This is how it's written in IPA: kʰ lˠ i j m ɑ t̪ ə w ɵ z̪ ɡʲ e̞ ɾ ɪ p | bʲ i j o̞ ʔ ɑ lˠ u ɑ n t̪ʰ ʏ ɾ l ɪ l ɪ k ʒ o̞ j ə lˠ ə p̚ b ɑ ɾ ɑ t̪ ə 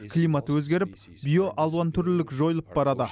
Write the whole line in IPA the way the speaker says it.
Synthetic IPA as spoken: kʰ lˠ i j m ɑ t̪ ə w ɵ z̪ ɡʲ e̞ ɾ ɪ p | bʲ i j o̞ ʔ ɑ lˠ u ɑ n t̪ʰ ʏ ɾ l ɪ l ɪ k ʒ o̞ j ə lˠ ə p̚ b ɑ ɾ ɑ d̪ ə